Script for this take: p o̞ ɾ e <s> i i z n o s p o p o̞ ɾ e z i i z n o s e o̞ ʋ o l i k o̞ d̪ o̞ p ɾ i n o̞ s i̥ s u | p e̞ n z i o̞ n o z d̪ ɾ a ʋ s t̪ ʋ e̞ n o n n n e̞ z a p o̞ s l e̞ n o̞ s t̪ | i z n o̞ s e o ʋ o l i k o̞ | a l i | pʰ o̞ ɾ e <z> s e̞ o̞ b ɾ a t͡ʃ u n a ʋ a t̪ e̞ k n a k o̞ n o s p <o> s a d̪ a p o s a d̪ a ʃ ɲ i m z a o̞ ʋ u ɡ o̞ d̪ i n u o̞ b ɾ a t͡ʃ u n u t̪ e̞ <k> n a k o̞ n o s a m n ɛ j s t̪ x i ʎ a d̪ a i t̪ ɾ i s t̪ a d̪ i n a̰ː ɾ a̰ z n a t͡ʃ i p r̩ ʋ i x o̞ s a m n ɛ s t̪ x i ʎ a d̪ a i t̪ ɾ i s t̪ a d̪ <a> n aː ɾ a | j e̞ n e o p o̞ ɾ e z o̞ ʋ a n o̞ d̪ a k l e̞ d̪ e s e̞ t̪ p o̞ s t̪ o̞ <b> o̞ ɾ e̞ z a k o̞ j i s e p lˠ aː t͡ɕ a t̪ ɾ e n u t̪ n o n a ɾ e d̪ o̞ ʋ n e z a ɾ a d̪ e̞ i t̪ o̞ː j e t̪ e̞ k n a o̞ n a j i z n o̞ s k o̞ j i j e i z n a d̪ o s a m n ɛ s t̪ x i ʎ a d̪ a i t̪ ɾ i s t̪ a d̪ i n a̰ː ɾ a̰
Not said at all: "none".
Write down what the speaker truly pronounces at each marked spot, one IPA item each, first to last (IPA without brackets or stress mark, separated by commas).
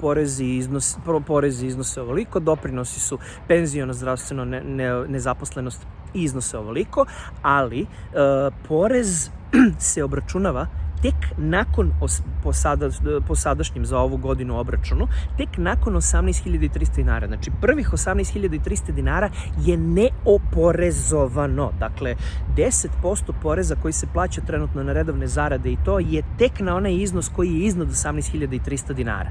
z, z, o, k, i, p